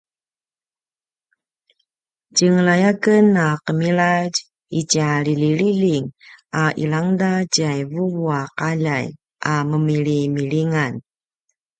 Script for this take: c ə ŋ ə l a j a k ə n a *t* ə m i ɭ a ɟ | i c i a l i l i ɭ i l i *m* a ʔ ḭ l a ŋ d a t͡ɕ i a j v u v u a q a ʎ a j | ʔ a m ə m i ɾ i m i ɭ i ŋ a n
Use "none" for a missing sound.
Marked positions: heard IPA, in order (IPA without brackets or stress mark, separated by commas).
q, ŋ